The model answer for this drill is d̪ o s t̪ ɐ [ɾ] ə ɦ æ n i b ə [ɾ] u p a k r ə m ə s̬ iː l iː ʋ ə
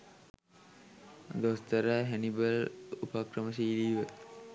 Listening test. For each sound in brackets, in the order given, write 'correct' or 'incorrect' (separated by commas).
correct, incorrect